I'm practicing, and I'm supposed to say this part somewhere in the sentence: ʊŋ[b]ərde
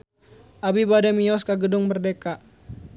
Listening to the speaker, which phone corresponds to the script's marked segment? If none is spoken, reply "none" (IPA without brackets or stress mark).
b